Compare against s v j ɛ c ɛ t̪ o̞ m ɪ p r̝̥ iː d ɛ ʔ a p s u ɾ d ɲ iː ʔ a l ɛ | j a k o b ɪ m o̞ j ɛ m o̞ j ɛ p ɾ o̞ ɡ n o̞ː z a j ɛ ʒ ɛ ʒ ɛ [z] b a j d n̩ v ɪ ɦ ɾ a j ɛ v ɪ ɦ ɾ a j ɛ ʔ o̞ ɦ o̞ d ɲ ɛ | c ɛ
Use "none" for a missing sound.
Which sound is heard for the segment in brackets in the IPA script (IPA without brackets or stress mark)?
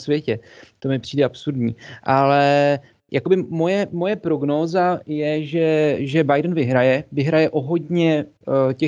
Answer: none